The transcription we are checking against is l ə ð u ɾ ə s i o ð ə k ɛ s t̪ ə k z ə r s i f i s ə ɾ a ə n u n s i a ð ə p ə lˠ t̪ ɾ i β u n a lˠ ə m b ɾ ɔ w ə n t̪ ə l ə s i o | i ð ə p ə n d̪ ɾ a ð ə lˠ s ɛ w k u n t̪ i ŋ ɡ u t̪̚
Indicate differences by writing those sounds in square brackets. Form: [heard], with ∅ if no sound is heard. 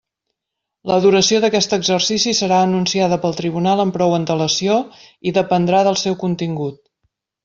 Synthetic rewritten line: l ə ð u ɾ ə s i o ð ə k ɛ s t̪ ə [ɡ] z ə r s i [s] i s ə ɾ a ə n u n s i a ð ə p ə lˠ t̪ ɾ i β u n a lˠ ə m [p] ɾ ɔ w ə n t̪ ə l ə s i o | i ð ə p ə n d̪ ɾ a ð ə lˠ s ɛ w k u n t̪ i ŋ ɡ u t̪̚